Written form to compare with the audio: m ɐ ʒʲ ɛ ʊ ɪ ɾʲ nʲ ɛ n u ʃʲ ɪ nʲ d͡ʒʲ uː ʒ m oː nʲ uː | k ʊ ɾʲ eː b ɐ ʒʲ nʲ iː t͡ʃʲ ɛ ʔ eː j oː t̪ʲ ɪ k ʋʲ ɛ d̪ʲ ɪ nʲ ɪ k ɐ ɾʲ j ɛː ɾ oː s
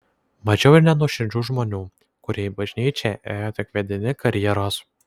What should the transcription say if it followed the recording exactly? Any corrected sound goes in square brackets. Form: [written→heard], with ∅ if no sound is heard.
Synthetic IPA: m ɐ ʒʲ ɛ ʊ ɪ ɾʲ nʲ ɛ n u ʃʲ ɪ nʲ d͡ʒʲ uː ʒ m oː nʲ uː | k ʊ ɾʲ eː b ɐ ʒʲ nʲ iː t͡ʃʲ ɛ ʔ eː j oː t̪ʲ ɪ k ʋʲ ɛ d̪ʲ ɪ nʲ ɪ k ɐ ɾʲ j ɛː ɾ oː s

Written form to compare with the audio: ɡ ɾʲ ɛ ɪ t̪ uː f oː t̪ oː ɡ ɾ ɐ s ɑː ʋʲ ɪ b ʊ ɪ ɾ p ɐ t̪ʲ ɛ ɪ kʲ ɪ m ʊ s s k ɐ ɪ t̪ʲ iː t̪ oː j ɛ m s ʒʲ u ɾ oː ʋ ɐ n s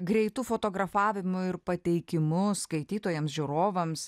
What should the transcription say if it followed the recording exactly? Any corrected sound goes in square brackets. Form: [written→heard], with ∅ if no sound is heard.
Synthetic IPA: ɡ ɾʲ ɛ ɪ t̪ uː f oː t̪ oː ɡ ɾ ɐ [s→f] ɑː ʋʲ ɪ [b→m] ʊ ɪ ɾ p ɐ t̪ʲ ɛ ɪ kʲ ɪ m ʊ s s k ɐ ɪ t̪ʲ iː t̪ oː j ɛ m s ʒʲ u ɾ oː ʋ ɐ [n→m] s

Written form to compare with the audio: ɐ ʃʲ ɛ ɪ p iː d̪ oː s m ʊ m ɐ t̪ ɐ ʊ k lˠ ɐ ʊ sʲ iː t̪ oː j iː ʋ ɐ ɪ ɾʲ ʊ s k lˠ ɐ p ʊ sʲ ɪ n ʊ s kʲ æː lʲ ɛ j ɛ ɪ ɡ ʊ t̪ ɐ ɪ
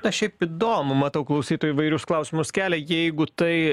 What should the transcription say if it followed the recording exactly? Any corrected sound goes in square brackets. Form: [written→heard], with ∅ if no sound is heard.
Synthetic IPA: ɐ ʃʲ ɛ ɪ p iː d̪ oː [s→∅] m ʊ m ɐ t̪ ɐ ʊ k lˠ ɐ ʊ sʲ iː t̪ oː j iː ʋ ɐ ɪ ɾʲ ʊ s k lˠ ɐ [p→∅] ʊ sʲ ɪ [n→m] ʊ s kʲ æː lʲ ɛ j ɛ ɪ ɡ ʊ t̪ ɐ ɪ

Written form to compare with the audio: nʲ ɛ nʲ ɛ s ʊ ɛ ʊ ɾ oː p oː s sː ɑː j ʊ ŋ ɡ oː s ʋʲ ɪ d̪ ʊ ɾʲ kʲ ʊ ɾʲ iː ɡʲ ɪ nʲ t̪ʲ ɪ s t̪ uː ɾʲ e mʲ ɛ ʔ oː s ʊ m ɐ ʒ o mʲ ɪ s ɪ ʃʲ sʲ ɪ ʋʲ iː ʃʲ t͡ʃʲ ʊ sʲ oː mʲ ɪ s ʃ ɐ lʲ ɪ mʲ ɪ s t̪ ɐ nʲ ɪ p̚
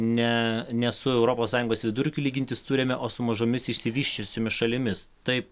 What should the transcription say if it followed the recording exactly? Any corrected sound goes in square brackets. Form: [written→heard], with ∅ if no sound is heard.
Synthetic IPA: nʲ ɛ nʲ ɛ s ʊ ɛ ʊ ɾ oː p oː s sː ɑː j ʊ ŋ ɡ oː s ʋʲ ɪ d̪ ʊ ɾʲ kʲ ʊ [ɾʲ→lʲ] iː ɡʲ ɪ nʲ t̪ʲ ɪ s t̪ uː ɾʲ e mʲ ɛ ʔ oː s ʊ m ɐ ʒ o mʲ ɪ s ɪ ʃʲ sʲ ɪ ʋʲ iː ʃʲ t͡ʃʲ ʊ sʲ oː mʲ ɪ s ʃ ɐ lʲ ɪ mʲ ɪ s t̪ ɐ [nʲ→∅] ɪ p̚

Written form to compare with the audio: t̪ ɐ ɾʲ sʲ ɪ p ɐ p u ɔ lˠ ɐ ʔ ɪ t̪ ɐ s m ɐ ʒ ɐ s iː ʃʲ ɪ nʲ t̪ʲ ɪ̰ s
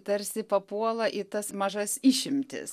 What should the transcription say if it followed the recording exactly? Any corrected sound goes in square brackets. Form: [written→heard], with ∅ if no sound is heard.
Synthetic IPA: t̪ ɐ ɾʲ sʲ ɪ p ɐ p u ɔ lˠ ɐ ʔ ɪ t̪ ɐ s m ɐ ʒ ɐ s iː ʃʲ ɪ [nʲ→mʲ] t̪ʲ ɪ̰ s

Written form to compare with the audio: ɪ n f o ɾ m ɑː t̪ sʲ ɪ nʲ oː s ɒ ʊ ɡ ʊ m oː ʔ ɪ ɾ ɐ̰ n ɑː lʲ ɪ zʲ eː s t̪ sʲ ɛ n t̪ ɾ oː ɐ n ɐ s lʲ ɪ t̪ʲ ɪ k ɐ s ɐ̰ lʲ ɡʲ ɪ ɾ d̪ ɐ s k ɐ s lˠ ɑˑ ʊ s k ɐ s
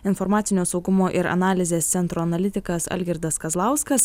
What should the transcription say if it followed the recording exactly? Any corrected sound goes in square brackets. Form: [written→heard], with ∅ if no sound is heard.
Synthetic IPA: ɪ n f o ɾ m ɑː t̪ sʲ ɪ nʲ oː s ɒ ʊ ɡ ʊ m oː ʔ ɪ ɾ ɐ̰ n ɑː lʲ ɪ zʲ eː s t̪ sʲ ɛ n t̪ ɾ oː ɐ n ɐ [s→∅] lʲ ɪ t̪ʲ ɪ k ɐ s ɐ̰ lʲ ɡʲ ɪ ɾ d̪ ɐ s k ɐ [s→z] lˠ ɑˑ ʊ s k ɐ s

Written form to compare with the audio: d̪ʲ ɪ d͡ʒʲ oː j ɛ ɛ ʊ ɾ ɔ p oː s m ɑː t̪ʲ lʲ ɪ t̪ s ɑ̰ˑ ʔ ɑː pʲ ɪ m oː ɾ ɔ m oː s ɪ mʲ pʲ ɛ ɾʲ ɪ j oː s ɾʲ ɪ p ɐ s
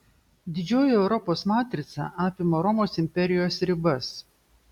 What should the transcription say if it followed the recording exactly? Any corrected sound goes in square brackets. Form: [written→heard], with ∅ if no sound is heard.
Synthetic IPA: d̪ʲ ɪ d͡ʒʲ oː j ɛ ɛ ʊ ɾ ɔ p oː s m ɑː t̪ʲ [lʲ→ɾʲ] ɪ t̪ s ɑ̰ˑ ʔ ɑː pʲ ɪ m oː ɾ ɔ m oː s ɪ mʲ pʲ ɛ ɾʲ ɪ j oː s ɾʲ ɪ [p→b] ɐ s

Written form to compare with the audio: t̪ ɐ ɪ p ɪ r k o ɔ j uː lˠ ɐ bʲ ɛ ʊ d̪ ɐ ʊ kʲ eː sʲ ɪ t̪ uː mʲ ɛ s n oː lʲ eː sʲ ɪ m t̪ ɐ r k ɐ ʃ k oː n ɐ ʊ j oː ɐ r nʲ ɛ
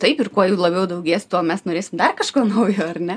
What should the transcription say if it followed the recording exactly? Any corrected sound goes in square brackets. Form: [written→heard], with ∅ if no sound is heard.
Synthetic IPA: t̪ ɐ ɪ p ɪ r k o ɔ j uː lˠ ɐ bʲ ɛ ʊ d̪ ɐ ʊ [kʲ→ɡʲ] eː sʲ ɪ t̪ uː mʲ ɛ s n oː [lʲ→ɾʲ] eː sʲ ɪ m [t̪→d̪] ɐ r k ɐ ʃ k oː n ɐ ʊ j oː ɐ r nʲ ɛ

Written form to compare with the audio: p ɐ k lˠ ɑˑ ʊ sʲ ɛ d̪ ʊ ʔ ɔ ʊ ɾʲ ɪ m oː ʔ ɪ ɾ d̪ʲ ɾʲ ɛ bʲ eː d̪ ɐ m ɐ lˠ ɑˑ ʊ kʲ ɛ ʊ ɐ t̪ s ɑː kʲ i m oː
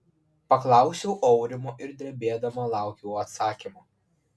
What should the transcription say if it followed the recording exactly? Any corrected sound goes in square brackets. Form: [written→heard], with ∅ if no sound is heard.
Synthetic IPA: p ɐ k lˠ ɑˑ ʊ sʲ ɛ [d̪→∅] ʊ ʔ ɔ ʊ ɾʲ ɪ m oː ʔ ɪ ɾ d̪ʲ ɾʲ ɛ bʲ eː d̪ ɐ m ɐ lˠ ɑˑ ʊ kʲ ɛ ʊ ɐ t̪ s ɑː kʲ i m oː

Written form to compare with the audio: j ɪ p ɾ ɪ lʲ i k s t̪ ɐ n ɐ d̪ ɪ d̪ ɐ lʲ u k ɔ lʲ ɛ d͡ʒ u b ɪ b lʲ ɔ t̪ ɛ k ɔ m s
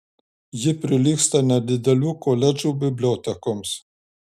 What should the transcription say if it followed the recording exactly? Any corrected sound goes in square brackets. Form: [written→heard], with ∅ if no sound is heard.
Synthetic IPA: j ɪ p ɾ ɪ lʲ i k s t̪ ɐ n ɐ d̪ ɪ d̪ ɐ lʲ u k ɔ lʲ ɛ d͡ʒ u b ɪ b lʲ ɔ t̪ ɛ k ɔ m s

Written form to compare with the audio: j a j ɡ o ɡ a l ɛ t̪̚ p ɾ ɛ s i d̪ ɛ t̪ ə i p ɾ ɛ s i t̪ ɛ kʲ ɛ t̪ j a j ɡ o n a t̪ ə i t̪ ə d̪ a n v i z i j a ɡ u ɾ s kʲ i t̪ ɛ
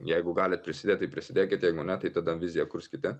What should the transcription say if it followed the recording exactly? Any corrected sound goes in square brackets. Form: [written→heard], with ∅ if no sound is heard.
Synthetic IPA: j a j ɡ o ɡ a l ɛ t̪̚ p ɾ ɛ s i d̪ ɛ t̪ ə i p ɾ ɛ s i [t̪→d̪] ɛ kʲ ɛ t̪ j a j ɡ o n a t̪ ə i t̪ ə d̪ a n v i z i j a [ɡ→k] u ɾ s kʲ i t̪ ɛ

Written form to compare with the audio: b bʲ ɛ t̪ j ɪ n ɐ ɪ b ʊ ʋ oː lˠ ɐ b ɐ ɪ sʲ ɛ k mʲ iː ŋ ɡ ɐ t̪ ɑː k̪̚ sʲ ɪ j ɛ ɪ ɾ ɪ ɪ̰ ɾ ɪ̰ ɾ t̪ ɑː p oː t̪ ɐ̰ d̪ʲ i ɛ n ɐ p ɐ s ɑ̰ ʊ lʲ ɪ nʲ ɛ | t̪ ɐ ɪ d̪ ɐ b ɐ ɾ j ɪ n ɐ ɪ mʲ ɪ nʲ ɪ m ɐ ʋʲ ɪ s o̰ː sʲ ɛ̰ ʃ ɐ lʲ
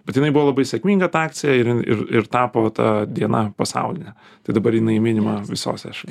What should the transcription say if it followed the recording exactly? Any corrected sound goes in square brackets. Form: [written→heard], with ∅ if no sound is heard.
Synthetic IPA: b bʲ ɛ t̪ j ɪ n ɐ ɪ b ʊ ʋ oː lˠ ɐ b ɐ ɪ sʲ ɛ k mʲ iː ŋ ɡ ɐ t̪ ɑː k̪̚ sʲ ɪ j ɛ ɪ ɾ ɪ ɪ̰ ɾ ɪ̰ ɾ t̪ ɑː p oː t̪ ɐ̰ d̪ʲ i ɛ n ɐ p ɐ s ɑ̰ ʊ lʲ ɪ nʲ ɛ | t̪ ɐ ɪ d̪ ɐ b ɐ ɾ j ɪ n ɐ ɪ mʲ ɪ nʲ ɪ m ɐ ʋʲ ɪ s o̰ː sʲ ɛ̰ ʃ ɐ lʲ

